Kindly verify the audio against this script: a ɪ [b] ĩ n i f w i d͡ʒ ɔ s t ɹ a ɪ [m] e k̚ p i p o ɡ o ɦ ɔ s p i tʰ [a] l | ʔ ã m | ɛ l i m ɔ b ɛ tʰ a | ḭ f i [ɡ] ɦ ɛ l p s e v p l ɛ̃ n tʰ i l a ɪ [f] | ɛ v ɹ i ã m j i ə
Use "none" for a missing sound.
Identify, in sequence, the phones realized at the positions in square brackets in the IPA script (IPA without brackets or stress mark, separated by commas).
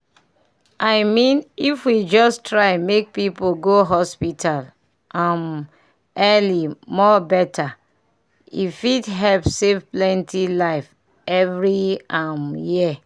m, m, a, d, f